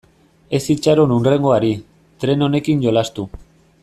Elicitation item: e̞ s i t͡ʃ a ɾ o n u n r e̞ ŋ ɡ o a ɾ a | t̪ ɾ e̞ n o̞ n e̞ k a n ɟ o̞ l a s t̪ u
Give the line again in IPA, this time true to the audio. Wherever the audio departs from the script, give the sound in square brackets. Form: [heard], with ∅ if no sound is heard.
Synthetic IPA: e̞ s i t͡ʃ a ɾ o n u n r e̞ ŋ ɡ o a ɾ [i] | t̪ ɾ e̞ n o̞ n e̞ k [i] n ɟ o̞ l a s t̪ u